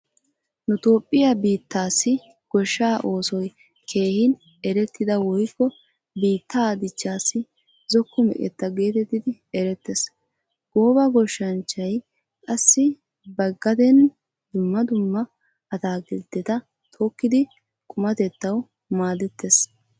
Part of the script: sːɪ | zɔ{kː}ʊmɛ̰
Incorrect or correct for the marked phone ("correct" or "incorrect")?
correct